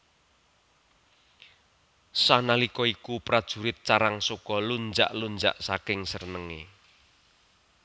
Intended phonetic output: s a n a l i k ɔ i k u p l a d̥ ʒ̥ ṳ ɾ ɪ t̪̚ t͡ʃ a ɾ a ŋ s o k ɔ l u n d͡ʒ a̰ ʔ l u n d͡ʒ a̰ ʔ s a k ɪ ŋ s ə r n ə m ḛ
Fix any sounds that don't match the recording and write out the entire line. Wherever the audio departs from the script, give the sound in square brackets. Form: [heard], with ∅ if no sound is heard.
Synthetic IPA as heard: s a n a l i k ɔ i k u p [ɾ] a d̥ ʒ̥ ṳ ɾ ɪ t̪̚ t͡ʃ a ɾ a ŋ s o k ɔ l u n d͡ʒ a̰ ʔ l u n d͡ʒ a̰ ʔ s a k ɪ ŋ s ə r n ə [ŋ] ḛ